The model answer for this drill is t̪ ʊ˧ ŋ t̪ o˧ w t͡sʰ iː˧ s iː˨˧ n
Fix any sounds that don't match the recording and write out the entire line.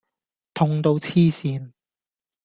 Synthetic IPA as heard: t̪ʰ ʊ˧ ŋ t̪ o˧ w t͡sʰ iː˥ s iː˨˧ n